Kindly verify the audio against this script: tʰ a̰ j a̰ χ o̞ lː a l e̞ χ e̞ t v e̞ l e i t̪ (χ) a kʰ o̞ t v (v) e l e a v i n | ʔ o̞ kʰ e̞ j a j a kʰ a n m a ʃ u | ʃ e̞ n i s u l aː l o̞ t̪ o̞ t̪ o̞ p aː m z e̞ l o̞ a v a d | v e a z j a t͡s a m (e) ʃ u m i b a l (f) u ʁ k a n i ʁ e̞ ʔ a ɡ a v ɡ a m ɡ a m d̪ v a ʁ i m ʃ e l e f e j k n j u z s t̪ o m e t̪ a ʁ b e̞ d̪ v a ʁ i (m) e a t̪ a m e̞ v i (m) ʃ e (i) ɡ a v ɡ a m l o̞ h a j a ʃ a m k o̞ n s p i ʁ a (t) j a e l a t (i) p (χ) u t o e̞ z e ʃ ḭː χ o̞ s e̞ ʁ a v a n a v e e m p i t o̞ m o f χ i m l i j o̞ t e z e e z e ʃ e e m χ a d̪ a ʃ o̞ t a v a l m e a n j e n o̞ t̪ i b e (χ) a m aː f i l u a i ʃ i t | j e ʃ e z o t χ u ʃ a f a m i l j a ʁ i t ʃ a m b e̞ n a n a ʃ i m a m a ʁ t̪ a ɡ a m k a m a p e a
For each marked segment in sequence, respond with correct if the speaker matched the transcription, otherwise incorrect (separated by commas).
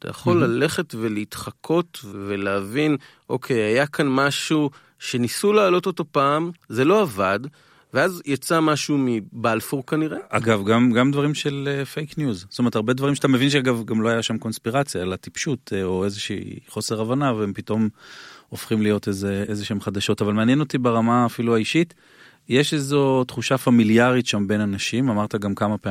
correct, correct, incorrect, correct, correct, incorrect, incorrect, incorrect, correct, incorrect, incorrect